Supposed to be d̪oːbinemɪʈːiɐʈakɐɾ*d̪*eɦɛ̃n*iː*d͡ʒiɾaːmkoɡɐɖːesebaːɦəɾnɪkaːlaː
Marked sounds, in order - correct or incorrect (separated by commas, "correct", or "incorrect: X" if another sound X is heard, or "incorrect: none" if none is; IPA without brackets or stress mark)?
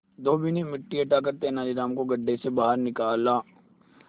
incorrect: t̪, incorrect: aː